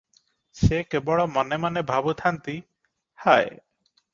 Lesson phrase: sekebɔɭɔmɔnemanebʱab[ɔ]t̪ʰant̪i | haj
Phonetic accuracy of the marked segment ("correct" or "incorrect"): incorrect